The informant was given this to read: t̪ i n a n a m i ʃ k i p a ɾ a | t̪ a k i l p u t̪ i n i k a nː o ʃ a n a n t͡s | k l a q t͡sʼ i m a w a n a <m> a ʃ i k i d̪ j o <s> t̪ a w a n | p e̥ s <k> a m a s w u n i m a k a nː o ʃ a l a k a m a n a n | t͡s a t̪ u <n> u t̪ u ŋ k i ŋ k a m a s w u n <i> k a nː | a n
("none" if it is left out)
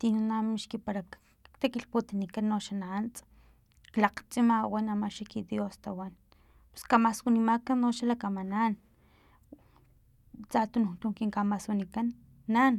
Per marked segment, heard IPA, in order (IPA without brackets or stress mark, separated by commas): m, s, k, n, i